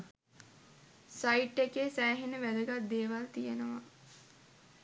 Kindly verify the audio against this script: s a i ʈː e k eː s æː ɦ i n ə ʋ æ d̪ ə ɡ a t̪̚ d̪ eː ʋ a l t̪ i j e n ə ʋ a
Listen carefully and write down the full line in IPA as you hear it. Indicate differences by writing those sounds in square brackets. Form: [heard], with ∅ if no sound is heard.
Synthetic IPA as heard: s a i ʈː e k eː s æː ɦ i n ə ʋ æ d̪ ə ɡ a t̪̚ d̪ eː ʋ a l t̪ i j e n ə ʋ a